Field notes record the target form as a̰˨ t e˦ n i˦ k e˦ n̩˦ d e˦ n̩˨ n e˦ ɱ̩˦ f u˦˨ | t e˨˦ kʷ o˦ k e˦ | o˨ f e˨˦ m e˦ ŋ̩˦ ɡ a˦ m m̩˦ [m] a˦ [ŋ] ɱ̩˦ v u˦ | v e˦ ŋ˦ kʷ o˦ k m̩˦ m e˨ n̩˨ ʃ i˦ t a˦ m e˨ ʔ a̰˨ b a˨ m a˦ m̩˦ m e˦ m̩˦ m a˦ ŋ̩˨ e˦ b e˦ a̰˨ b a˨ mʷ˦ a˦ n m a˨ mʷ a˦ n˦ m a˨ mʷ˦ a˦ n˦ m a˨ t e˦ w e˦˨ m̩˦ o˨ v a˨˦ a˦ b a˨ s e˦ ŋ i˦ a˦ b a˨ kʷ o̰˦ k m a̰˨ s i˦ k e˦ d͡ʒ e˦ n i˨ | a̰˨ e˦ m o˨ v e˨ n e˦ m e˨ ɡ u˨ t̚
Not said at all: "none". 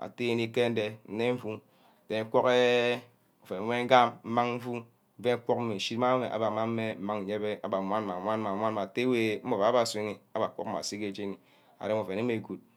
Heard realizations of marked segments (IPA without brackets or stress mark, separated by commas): m, ŋ